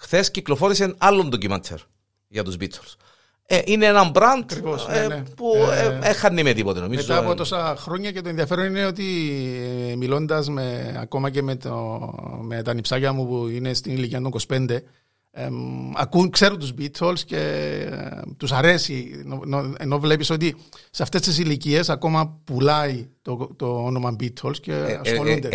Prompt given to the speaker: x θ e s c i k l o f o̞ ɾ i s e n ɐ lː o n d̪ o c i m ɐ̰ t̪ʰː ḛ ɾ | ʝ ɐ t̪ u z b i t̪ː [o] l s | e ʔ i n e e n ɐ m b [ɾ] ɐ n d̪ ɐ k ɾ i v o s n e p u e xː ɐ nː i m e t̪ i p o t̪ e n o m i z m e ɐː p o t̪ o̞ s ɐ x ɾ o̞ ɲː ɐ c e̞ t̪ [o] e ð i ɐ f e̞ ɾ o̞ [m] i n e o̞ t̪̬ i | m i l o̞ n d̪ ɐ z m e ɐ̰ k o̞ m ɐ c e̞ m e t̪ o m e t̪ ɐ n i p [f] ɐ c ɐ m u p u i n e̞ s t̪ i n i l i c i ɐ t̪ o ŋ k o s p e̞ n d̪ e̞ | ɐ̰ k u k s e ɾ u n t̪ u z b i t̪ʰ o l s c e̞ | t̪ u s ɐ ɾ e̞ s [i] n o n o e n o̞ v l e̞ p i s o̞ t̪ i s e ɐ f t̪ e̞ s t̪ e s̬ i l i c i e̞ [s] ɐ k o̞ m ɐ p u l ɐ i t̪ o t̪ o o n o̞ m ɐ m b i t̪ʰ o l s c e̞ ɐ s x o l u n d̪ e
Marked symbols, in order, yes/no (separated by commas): yes, yes, yes, no, no, yes, yes